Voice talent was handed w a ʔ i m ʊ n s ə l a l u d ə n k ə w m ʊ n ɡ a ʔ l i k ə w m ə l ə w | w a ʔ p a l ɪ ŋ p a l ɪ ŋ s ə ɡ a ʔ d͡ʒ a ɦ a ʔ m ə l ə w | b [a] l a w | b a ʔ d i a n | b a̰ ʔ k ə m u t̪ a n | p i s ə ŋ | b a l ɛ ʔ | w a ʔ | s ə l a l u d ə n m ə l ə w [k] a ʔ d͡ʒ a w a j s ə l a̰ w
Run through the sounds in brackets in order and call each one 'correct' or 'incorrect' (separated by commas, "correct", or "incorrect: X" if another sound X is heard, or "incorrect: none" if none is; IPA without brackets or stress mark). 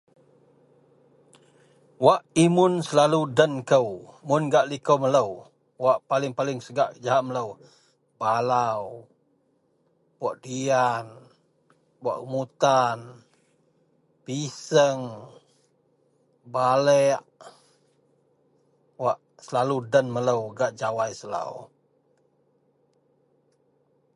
correct, incorrect: ɡ